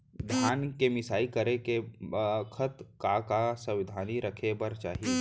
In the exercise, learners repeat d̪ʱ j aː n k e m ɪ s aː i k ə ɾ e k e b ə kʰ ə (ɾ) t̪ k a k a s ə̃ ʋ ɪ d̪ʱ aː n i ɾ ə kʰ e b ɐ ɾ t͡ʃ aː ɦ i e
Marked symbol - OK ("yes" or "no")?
no